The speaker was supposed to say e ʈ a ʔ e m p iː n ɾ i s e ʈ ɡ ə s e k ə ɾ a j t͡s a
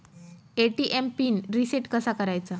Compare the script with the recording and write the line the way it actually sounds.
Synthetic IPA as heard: e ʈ i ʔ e m p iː n ɾ i s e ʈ k ə s a k ə ɾ a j t͡s a